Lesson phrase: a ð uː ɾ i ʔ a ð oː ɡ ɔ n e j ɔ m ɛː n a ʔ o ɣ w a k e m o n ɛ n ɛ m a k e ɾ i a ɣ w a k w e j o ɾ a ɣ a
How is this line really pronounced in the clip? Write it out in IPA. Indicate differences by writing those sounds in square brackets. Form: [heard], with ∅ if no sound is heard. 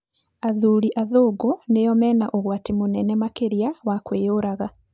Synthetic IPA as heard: a ð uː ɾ i ʔ a ð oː ɡ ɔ n e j ɔ m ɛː n a ʔ o ɣ w a [t] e m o n ɛ n ɛ m a k e ɾ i a [∅] w a k w e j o ɾ a ɣ a